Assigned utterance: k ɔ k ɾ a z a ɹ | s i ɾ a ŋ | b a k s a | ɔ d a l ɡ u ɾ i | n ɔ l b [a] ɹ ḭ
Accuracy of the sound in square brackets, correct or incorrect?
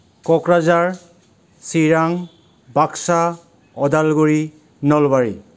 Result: correct